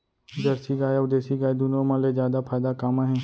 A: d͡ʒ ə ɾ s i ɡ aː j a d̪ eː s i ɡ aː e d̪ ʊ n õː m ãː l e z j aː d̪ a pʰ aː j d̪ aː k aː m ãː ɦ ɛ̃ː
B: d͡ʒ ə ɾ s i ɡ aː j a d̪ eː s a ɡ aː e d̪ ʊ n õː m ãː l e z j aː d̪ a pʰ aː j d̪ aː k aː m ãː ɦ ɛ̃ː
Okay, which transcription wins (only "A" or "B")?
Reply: A